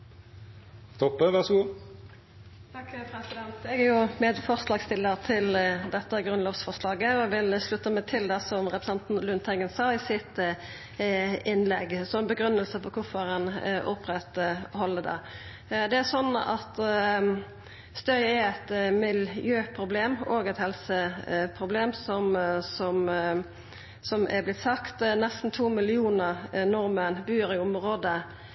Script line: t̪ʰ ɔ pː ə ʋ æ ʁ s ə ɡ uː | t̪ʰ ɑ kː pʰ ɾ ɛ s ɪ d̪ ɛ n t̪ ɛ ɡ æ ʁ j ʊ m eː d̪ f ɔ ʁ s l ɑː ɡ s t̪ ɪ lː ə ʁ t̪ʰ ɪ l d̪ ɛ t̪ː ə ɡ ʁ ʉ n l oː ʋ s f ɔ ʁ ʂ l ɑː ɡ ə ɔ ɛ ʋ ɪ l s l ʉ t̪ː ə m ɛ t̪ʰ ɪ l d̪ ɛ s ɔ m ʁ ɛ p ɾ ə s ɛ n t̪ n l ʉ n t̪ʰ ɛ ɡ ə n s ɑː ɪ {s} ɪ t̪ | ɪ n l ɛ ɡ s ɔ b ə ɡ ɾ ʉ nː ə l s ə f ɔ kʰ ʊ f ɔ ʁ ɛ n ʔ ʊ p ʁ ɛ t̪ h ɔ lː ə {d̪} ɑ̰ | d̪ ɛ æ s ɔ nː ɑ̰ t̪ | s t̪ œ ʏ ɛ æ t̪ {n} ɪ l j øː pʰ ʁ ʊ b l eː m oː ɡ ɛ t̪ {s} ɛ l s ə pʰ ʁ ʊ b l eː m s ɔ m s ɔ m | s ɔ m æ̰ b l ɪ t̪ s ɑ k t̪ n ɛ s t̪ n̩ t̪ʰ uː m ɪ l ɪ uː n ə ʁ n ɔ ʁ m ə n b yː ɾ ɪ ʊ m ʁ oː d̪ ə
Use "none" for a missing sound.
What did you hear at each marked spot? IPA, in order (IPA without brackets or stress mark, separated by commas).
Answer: s, d̪, m, h